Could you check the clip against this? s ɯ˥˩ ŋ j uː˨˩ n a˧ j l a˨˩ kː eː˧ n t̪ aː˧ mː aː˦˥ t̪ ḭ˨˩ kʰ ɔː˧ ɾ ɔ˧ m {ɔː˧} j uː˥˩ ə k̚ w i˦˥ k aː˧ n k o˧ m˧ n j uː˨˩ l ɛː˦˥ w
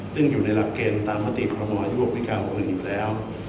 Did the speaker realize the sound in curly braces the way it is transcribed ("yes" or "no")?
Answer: yes